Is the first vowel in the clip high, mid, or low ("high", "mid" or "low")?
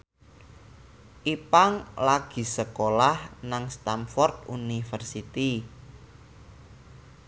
high